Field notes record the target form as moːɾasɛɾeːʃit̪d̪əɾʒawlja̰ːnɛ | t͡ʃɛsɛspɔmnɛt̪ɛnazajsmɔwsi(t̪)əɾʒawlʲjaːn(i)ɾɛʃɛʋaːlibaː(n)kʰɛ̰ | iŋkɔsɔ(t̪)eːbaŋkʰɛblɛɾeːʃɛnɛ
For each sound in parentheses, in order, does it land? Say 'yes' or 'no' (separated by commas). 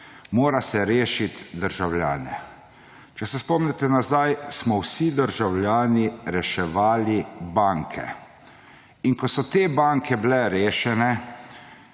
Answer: no, yes, no, yes